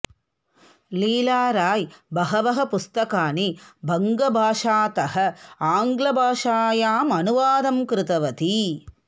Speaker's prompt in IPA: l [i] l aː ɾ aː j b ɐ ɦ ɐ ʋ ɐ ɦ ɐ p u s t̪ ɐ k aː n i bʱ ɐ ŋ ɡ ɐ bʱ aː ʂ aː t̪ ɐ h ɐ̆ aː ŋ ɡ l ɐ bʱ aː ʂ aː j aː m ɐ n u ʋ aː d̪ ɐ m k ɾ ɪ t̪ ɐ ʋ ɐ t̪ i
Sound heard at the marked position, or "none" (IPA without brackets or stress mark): iː